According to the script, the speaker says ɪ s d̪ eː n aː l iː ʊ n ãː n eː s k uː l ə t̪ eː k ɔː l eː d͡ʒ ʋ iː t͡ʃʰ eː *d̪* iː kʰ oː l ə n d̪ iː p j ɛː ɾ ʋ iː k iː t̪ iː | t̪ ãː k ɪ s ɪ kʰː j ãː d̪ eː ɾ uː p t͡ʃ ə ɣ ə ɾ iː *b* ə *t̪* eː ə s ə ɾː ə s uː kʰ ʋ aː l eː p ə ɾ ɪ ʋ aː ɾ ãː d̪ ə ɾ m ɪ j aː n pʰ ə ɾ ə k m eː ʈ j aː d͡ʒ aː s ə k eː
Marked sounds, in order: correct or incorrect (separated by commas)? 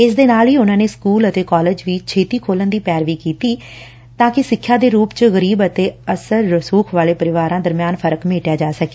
incorrect, correct, correct